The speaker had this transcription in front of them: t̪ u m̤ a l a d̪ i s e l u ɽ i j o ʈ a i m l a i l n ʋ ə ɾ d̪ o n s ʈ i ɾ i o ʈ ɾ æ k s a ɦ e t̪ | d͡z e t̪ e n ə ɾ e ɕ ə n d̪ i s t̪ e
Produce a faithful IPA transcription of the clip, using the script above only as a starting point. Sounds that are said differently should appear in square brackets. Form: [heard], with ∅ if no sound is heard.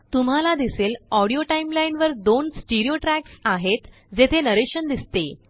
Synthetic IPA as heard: t̪ u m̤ a l a d̪ i s e l [ɔ] ɽ i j o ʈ a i m l a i [∅] n ʋ ə ɾ d̪ o n s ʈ i ɾ i o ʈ ɾ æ k s a ɦ e t̪ | d͡z e [t̪ʰ] e n ə ɾ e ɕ ə n d̪ i s t̪ e